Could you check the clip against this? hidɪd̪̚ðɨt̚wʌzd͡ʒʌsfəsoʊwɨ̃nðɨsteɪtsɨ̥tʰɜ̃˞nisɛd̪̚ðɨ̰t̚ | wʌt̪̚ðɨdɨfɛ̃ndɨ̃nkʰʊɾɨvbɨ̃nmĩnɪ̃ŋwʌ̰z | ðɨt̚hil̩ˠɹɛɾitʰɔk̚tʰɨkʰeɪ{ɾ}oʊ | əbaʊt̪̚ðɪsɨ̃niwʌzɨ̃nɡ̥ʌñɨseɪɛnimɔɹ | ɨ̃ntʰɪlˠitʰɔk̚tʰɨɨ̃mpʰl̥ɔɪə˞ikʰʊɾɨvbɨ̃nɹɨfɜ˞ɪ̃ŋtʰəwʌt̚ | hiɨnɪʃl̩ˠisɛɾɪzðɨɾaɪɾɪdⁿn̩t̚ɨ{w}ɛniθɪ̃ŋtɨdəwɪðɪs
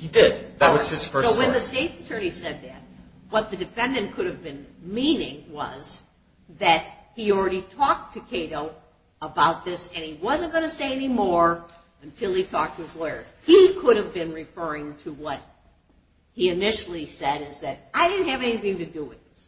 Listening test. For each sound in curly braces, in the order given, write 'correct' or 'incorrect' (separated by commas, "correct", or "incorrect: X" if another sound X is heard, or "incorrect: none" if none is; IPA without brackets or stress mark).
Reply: correct, incorrect: v